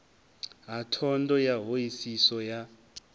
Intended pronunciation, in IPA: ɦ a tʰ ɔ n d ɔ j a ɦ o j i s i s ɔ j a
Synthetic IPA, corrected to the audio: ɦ a tʰ ɔ n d ɔ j a ɦ o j i s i s ɔ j a